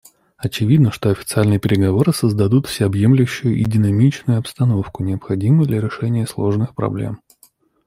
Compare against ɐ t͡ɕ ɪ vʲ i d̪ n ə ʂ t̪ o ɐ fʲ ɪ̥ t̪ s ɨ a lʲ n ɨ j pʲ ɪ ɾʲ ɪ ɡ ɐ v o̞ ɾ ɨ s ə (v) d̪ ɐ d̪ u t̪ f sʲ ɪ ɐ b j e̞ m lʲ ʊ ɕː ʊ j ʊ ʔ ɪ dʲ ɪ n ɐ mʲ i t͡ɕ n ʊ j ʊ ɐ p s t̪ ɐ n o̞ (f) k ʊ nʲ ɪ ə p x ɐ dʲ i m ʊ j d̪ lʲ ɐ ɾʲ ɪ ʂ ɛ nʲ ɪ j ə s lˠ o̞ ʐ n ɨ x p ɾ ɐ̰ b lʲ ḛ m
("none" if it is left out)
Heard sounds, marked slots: z, f

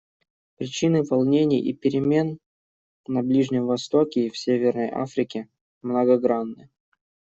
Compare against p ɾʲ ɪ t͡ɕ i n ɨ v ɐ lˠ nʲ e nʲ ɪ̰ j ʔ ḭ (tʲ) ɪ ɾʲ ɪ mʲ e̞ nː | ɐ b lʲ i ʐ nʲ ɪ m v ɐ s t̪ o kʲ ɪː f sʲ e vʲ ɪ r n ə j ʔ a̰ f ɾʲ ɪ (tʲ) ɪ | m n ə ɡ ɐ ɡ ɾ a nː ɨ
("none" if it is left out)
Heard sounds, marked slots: pʲ, kʲ

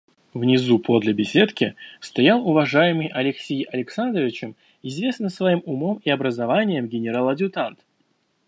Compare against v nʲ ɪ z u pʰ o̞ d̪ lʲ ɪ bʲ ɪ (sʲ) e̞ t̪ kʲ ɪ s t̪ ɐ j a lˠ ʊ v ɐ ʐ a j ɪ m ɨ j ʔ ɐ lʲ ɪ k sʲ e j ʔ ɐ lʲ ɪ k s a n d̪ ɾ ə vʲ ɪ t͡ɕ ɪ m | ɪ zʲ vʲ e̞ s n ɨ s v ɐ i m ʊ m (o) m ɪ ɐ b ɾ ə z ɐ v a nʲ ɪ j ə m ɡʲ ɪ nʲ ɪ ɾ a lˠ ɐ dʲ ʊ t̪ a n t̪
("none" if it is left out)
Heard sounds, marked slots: sʲ, o

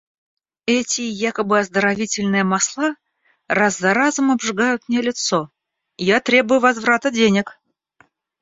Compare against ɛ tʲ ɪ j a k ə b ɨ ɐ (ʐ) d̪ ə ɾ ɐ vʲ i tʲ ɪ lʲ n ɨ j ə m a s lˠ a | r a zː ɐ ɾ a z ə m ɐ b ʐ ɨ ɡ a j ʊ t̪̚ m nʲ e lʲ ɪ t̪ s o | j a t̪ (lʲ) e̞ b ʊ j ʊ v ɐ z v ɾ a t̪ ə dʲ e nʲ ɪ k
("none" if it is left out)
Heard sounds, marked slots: z, ɾʲ

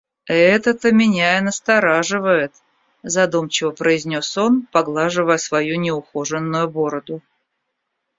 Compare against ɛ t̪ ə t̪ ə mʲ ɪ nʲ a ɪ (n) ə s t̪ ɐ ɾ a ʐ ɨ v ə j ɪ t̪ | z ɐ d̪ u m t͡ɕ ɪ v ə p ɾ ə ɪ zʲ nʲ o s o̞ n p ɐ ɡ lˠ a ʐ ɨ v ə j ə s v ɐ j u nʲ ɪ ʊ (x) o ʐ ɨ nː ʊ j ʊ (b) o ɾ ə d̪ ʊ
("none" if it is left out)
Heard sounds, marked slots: n, x, b

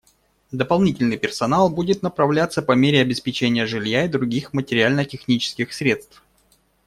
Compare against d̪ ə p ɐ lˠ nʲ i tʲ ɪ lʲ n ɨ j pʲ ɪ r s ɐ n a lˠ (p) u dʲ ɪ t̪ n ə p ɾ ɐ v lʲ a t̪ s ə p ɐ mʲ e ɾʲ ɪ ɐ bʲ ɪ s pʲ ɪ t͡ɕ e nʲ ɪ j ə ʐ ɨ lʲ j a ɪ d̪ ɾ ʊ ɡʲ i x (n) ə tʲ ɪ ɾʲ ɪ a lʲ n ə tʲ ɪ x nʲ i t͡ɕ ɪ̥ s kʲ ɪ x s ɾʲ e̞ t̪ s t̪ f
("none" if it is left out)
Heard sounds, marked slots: b, m

